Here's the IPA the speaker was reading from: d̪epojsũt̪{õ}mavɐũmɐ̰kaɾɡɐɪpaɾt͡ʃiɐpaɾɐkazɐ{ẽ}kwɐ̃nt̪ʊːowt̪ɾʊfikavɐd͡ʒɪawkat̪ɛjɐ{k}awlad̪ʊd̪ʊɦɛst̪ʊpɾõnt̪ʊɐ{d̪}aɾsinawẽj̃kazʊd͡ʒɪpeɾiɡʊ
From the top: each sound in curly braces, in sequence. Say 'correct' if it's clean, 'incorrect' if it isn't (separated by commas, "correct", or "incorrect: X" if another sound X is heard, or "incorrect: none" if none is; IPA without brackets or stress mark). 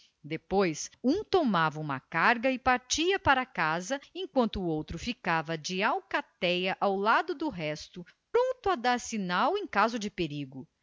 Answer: incorrect: o, correct, incorrect: ʔ, correct